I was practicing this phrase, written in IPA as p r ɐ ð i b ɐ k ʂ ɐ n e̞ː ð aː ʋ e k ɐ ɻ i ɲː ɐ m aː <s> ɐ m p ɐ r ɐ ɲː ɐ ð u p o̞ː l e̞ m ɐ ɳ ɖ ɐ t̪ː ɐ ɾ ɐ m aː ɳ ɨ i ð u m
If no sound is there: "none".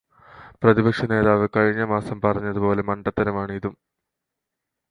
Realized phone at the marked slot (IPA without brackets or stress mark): s